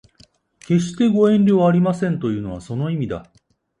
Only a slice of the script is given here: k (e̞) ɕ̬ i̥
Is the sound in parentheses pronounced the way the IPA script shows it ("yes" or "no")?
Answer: yes